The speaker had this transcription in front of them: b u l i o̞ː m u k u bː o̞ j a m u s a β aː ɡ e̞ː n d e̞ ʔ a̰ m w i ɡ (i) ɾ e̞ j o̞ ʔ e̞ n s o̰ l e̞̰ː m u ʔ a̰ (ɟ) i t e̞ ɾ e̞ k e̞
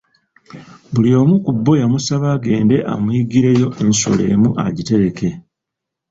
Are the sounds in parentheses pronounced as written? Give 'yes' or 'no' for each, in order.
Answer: yes, yes

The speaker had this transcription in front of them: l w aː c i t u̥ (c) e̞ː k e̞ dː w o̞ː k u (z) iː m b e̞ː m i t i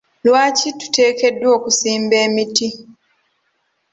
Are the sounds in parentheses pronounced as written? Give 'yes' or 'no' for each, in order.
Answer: no, no

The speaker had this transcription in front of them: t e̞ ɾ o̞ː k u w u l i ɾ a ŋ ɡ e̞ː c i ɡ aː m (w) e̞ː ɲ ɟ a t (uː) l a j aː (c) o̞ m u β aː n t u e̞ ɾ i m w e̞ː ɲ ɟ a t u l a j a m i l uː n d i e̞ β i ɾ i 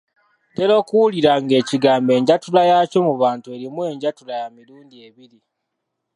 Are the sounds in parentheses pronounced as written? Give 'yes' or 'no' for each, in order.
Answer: no, no, yes

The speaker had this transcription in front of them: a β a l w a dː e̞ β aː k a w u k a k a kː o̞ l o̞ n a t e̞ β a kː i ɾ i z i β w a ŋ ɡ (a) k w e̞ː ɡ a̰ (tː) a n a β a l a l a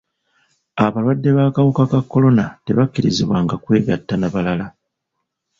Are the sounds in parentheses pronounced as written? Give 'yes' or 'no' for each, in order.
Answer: yes, yes

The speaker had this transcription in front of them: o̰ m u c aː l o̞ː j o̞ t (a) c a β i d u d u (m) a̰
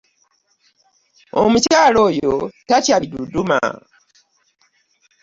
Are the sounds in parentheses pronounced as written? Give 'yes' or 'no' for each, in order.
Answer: yes, yes

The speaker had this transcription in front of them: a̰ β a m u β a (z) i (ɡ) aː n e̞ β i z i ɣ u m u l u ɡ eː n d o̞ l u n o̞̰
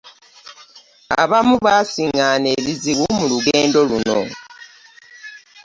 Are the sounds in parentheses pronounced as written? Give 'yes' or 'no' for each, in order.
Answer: no, no

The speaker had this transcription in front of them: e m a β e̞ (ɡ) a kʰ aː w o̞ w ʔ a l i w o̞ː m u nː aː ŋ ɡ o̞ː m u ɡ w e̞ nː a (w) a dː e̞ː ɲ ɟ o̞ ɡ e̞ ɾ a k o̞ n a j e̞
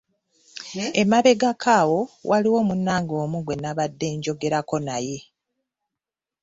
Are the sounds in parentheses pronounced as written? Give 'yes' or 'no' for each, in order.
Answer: yes, no

